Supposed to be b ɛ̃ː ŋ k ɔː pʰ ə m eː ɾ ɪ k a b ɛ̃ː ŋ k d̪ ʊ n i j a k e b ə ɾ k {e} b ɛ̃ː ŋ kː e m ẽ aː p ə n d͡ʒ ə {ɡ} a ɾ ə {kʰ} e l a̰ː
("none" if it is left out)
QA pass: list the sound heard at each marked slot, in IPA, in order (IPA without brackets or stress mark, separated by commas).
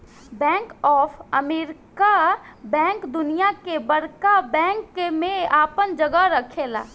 a, ɡ, kʰ